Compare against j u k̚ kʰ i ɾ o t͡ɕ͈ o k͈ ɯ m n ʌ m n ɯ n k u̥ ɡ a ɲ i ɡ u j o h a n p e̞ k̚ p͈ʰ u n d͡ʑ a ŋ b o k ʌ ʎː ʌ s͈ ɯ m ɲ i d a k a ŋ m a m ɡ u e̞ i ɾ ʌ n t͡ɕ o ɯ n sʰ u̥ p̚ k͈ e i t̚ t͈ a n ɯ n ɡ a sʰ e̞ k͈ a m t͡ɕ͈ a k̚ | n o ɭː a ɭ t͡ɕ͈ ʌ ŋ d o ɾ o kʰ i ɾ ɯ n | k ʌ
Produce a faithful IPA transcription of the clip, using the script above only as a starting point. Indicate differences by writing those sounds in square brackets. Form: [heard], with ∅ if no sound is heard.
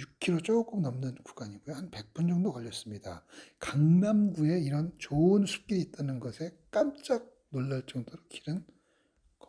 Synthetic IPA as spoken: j u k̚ kʰ i ɾ o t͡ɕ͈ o k͈ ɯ m n ʌ m n ɯ n k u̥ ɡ a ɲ i ɡ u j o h a n p e̞ k̚ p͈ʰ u n d͡ʑ [ʌ] ŋ [d] o k ʌ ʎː ʌ s͈ ɯ m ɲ i d a k a ŋ m a m ɡ u e̞ i ɾ ʌ n t͡ɕ o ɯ n sʰ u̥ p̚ k͈ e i t̚ t͈ a n ɯ n ɡ [ʌ] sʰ e̞ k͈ a m t͡ɕ͈ a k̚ | n o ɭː a ɭ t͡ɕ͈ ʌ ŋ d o ɾ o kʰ i ɾ ɯ n | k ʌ

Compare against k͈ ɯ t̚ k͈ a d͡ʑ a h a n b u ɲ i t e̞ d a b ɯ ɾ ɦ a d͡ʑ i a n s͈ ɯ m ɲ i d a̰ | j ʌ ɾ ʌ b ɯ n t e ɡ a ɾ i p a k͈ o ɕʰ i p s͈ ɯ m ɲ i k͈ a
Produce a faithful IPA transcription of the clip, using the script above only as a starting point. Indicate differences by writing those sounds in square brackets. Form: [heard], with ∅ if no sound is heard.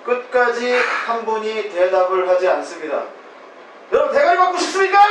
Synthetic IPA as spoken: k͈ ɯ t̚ k͈ a d͡ʑ [i] h a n b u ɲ i t e̞ d a b ɯ [ɭ] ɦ a d͡ʑ i a n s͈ ɯ m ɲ i d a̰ | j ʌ ɾ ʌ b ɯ n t e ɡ a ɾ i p a k͈ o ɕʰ i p s͈ ɯ m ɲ i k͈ a

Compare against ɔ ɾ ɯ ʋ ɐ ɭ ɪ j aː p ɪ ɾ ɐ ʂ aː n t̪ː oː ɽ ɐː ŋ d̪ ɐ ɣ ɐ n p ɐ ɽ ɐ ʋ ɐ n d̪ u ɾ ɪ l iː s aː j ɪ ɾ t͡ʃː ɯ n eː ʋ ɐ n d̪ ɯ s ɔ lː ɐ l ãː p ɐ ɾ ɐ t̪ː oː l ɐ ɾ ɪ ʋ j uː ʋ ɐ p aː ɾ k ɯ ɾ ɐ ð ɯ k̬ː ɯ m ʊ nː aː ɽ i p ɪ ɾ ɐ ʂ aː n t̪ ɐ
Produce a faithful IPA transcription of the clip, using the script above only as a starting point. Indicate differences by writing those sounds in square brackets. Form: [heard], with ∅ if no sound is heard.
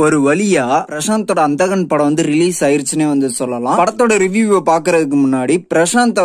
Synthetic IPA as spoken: ɔ ɾ ɯ ʋ ɐ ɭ ɪ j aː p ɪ ɾ ɐ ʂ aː n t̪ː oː ɽ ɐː [n] d̪ ɐ ɣ ɐ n p ɐ ɽ ɐ ʋ ɐ n d̪ [ɯ] ɾ ɪ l iː s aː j ɪ ɾ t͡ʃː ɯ n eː ʋ ɐ n d̪ ɯ s ɔ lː ɐ l ãː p ɐ [ɽ] ɐ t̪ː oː [ɽ] ɐ ɾ ɪ ʋ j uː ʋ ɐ p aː ɾ k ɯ ɾ ɐ ð ɯ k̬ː ɯ m ʊ nː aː ɽ i p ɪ ɾ ɐ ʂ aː n t̪ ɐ

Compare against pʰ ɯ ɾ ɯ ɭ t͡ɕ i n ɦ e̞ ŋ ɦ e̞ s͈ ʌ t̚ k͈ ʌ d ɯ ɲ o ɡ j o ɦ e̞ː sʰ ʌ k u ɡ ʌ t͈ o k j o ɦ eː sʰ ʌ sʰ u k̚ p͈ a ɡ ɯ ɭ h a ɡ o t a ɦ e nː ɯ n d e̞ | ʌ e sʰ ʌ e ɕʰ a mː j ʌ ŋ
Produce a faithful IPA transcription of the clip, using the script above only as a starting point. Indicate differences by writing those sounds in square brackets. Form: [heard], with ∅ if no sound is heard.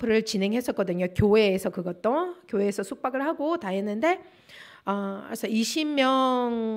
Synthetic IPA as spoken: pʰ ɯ ɾ ɯ ɭ t͡ɕ i n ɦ e̞ ŋ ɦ e̞ s͈ ʌ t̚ k͈ ʌ d ɯ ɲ o [k] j o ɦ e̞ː sʰ ʌ k [ɯ] ɡ ʌ t͈ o k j o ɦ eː sʰ ʌ sʰ u k̚ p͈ a ɡ ɯ ɭ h a ɡ o t a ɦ e nː ɯ n d e̞ | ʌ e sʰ ʌ [i] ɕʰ [i] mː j ʌ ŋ

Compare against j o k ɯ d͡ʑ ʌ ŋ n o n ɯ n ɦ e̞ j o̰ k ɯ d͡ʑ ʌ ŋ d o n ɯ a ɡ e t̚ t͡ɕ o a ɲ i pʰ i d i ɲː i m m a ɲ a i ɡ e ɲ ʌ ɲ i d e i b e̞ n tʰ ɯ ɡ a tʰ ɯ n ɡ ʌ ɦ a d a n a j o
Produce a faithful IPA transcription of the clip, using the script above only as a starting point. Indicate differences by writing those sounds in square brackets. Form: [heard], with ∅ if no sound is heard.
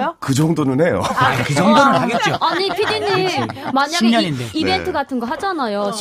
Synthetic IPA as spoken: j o k ɯ d͡ʑ ʌ ŋ [d] o n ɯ n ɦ e̞ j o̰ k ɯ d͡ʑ ʌ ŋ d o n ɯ a ɡ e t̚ t͡ɕ o a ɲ i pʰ i d i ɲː i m m a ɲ a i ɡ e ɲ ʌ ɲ i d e i b e̞ n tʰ ɯ ɡ a tʰ ɯ n ɡ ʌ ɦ a [d͡ʑ] a n a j o

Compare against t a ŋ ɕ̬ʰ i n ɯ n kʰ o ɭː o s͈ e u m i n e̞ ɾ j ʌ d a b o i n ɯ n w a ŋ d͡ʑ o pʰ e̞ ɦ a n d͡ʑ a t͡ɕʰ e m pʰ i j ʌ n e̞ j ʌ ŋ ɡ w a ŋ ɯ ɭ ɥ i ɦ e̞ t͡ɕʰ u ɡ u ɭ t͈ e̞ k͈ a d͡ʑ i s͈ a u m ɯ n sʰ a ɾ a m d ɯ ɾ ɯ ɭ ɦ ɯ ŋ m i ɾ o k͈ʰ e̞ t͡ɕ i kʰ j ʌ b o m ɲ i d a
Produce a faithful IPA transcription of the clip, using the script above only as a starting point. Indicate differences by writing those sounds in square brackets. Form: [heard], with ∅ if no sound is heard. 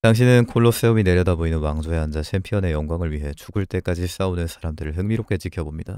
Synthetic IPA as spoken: t a ŋ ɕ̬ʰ i n ɯ n kʰ o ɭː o s͈ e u m i n e̞ ɾ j ʌ d a b o i n ɯ n w a ŋ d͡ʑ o [∅] e̞ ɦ a n d͡ʑ a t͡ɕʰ e m pʰ i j ʌ n e̞ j ʌ ŋ ɡ w a ŋ ɯ ɭ ɥ i ɦ e̞ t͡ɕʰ u ɡ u ɭ t͈ e̞ k͈ a d͡ʑ i s͈ a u [n] ɯ n sʰ a ɾ a m d ɯ ɾ ɯ ɭ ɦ ɯ ŋ m i ɾ o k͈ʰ e̞ t͡ɕ i kʰ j ʌ b o m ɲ i d a

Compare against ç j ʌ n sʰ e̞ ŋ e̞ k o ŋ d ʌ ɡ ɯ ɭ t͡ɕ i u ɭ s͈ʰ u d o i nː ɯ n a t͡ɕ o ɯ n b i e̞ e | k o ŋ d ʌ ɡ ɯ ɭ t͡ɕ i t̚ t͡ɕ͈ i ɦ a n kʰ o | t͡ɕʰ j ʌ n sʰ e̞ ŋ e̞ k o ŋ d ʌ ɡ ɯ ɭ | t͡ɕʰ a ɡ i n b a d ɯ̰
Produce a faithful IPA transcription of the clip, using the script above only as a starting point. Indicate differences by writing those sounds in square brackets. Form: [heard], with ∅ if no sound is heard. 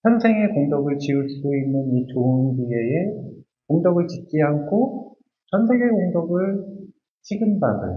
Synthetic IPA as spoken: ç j ʌ n sʰ e̞ ŋ e̞ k o ŋ d ʌ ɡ ɯ ɭ t͡ɕ i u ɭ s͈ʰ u d o i nː ɯ n [i] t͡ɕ o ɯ n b i e̞ e | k o ŋ d ʌ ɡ ɯ ɭ t͡ɕ i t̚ t͡ɕ͈ i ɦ a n kʰ o | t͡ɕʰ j ʌ n sʰ e̞ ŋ e̞ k o ŋ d ʌ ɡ ɯ ɭ | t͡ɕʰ [i] ɡ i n b a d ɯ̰

